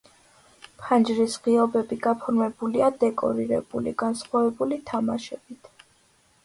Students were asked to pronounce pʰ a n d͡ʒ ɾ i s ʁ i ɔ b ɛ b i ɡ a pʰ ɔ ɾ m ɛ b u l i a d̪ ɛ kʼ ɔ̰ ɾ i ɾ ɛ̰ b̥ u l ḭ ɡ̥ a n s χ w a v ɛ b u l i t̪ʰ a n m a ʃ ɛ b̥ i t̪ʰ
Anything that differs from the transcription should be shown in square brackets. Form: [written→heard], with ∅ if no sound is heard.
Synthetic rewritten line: pʰ a n d͡ʒ ɾ i s ʁ i ɔ b ɛ b i ɡ a pʰ ɔ ɾ m ɛ b u l i a d̪ ɛ kʼ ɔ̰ ɾ i ɾ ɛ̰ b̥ u l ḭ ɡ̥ a n s χ w a v ɛ b u l i t̪ʰ a [n→∅] m a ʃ ɛ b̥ i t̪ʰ